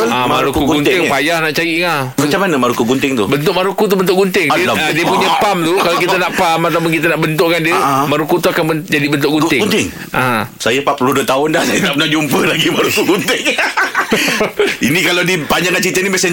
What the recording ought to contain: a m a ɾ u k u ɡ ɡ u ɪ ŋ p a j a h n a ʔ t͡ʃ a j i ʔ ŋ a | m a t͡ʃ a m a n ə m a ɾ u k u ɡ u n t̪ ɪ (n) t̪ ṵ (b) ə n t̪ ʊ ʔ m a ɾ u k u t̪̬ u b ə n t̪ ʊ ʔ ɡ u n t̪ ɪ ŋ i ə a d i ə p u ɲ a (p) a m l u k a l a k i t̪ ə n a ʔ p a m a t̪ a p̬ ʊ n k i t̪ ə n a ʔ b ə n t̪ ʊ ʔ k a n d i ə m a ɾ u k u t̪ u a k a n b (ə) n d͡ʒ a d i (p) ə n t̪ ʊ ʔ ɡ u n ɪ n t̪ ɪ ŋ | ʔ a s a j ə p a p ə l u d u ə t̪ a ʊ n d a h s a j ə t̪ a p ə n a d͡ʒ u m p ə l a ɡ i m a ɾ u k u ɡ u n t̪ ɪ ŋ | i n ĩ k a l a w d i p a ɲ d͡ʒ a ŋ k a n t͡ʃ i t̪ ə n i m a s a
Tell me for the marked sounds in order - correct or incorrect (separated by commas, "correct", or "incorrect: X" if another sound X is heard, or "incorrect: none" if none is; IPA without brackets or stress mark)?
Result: incorrect: ŋ, correct, correct, correct, incorrect: b